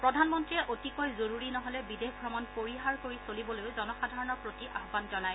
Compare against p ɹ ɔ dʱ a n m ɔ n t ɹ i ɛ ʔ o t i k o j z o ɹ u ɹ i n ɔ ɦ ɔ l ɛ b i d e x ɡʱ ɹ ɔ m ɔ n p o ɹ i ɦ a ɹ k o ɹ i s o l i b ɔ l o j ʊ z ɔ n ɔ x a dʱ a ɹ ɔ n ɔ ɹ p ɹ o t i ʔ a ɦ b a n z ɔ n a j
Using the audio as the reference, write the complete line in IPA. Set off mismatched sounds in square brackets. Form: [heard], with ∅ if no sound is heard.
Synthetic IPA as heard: p ɹ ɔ dʱ a n m ɔ n t ɹ i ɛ ʔ o t i k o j z o ɹ u ɹ i n ɔ ɦ ɔ l ɛ b i d e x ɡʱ ɹ ɔ m ɔ n p o ɹ i ɦ a ɹ k o ɹ i s o l i b ɔ l o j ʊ z ɔ n ɔ x a dʱ a ɹ ɔ n ɔ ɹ p ɹ o t i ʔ a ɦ b a n z ɔ n a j